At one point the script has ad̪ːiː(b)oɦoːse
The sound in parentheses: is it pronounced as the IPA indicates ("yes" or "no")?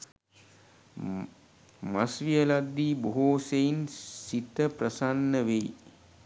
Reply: yes